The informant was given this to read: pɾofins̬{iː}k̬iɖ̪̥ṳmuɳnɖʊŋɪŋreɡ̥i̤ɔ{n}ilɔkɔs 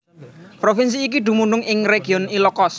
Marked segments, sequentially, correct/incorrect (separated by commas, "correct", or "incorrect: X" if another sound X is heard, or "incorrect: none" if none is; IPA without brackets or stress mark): correct, correct